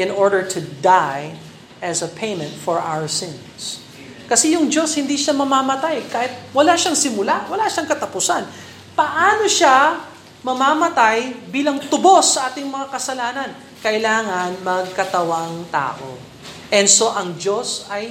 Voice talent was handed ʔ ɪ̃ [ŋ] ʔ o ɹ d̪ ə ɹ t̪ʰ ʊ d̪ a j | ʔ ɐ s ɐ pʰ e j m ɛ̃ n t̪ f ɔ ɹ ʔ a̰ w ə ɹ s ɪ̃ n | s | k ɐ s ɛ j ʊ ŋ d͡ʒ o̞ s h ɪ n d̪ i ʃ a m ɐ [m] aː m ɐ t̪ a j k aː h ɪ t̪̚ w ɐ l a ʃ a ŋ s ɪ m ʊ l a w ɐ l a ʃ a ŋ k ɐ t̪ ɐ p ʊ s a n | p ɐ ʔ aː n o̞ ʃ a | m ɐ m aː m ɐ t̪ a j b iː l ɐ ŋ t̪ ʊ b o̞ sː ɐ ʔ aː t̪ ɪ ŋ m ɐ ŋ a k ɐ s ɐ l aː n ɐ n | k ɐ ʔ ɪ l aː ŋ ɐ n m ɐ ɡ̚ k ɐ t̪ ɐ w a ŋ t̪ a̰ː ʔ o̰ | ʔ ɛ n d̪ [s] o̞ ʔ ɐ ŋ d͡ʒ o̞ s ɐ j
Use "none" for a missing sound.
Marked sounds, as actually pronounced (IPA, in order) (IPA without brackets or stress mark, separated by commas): n, m, s